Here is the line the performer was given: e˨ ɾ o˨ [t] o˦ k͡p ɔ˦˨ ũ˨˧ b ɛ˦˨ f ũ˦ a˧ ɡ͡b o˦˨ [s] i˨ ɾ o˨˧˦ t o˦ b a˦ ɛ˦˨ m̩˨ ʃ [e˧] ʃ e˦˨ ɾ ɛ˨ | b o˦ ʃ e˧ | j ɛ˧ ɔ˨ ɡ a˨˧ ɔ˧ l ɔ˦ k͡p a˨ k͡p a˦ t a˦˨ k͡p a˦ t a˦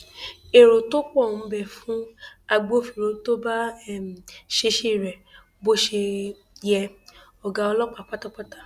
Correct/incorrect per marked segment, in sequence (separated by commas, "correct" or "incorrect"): correct, incorrect, correct